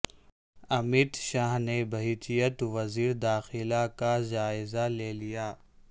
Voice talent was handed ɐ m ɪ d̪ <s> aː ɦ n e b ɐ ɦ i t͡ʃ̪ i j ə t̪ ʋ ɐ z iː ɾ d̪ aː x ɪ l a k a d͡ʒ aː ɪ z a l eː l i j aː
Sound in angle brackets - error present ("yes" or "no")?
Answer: yes